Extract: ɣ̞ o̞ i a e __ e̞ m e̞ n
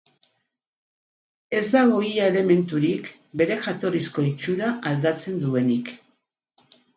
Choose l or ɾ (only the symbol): l